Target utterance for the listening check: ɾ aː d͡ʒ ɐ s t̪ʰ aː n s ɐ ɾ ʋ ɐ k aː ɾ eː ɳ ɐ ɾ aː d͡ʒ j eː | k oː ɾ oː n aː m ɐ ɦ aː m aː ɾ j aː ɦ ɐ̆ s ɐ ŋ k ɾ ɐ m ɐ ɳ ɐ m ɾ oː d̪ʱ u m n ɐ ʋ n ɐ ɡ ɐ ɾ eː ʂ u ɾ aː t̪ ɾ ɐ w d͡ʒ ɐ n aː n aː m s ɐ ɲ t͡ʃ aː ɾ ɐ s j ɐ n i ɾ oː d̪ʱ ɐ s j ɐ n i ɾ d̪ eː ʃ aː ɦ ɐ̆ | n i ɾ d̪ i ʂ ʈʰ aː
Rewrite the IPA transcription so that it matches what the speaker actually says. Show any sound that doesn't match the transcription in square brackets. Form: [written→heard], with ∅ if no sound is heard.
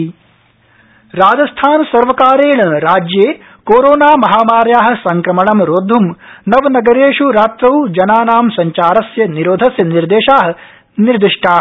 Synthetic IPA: ɾ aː d͡ʒ ɐ s t̪ʰ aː n s ɐ ɾ ʋ ɐ k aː ɾ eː ɳ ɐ ɾ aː d͡ʒ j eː | k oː ɾ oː n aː m ɐ ɦ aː m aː ɾ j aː ɦ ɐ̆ s ɐ ŋ k ɾ ɐ m ɐ ɳ ɐ m ɾ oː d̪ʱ u m n ɐ ʋ n ɐ ɡ ɐ ɾ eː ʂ u ɾ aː t̪ ɾ ɐ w d͡ʒ ɐ n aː n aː m s ɐ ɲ t͡ʃ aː ɾ ɐ s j ɐ n i ɾ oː d̪ʱ ɐ s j ɐ n i ɾ d̪ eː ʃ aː ɦ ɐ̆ | n i ɾ d̪ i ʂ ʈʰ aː